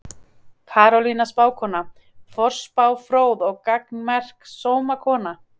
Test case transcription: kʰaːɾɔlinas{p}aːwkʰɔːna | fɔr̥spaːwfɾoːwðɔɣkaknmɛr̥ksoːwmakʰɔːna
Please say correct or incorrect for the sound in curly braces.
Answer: correct